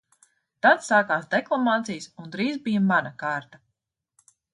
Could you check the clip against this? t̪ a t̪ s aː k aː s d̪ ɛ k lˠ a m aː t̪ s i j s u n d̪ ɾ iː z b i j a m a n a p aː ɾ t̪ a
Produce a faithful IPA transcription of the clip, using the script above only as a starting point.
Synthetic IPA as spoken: t̪ a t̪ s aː k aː s d̪ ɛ k lˠ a m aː t̪ s i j s u n d̪ ɾ iː z b i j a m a n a k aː ɾ t̪ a